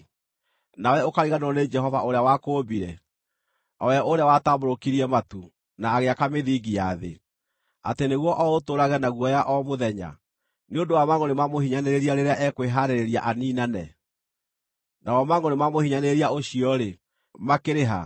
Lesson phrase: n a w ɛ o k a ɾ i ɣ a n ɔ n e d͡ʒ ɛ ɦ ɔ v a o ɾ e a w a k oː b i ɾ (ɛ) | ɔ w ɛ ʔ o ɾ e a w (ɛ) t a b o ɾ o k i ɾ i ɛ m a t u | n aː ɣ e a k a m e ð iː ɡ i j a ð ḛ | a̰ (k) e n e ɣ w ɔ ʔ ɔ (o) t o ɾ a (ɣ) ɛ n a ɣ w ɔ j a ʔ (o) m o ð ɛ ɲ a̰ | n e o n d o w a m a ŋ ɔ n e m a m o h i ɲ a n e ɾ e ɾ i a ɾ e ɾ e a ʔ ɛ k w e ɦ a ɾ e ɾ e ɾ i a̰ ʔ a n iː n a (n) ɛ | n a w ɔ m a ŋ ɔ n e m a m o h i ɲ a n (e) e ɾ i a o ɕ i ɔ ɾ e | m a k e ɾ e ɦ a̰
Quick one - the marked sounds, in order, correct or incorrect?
correct, incorrect: a, incorrect: t, correct, correct, incorrect: ɔ, correct, correct

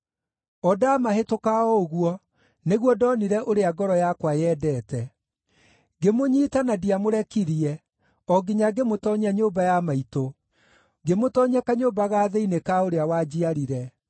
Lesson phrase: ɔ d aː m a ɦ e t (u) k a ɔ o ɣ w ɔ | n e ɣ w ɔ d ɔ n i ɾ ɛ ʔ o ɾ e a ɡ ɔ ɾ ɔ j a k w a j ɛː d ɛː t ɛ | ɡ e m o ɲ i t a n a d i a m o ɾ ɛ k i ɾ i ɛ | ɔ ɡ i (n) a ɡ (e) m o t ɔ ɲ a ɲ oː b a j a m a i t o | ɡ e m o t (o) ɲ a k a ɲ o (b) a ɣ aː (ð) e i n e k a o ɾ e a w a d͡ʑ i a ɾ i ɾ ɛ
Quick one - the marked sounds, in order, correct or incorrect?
incorrect: o, incorrect: ɲ, correct, incorrect: ɔ, correct, correct

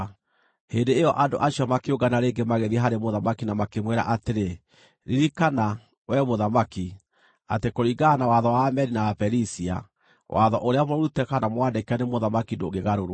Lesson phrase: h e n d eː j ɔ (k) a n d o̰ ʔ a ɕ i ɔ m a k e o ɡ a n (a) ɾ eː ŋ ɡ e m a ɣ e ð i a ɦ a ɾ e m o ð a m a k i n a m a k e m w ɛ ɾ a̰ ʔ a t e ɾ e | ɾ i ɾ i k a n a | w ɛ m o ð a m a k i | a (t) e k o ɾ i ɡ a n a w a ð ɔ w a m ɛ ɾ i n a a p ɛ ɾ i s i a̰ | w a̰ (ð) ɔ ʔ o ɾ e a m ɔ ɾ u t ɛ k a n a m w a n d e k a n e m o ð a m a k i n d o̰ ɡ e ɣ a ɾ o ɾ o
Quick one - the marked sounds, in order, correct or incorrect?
incorrect: ʔ, correct, correct, correct

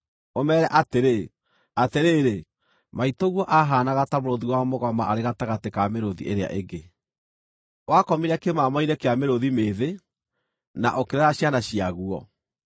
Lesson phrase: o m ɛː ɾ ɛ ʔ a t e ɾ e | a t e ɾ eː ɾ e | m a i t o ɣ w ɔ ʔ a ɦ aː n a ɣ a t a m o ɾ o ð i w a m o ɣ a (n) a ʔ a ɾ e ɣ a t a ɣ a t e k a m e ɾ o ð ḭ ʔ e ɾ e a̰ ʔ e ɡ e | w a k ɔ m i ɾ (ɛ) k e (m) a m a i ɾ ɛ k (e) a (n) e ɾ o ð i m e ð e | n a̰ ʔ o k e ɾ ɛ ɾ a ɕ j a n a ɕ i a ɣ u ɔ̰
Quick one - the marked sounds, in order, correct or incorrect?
incorrect: m, correct, correct, correct, incorrect: m

